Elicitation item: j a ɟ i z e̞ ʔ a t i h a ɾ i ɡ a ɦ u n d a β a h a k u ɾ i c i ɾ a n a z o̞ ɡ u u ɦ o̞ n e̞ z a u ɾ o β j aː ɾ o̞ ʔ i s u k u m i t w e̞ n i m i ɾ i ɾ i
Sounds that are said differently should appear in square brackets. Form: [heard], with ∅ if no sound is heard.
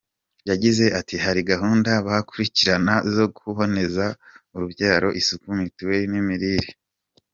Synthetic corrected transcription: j a ɟ i z e̞ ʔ a t i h a ɾ i ɡ a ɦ [uː] n d a β a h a k u ɾ i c i ɾ a n a z o̞ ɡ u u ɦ o̞ n e̞ z a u ɾ [u] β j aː ɾ o̞ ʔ i s u k u m i t w e̞ n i m i ɾ i ɾ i